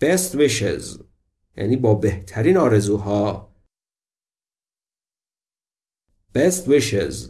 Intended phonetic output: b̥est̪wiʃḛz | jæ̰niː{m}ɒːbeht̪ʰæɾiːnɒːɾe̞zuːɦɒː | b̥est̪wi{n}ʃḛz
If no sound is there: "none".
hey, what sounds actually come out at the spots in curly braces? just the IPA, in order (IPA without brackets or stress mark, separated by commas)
b, none